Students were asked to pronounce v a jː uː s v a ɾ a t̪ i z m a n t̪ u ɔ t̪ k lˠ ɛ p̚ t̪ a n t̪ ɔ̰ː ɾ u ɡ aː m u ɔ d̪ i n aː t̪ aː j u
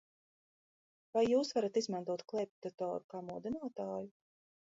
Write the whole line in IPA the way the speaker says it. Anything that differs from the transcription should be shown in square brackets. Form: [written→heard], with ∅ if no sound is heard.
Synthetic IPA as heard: v a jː uː s v a ɾ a t̪ i z m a n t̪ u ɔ t̪ k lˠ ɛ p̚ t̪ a [n→∅] t̪ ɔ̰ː ɾ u [ɡ→k] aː m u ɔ d̪ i n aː t̪ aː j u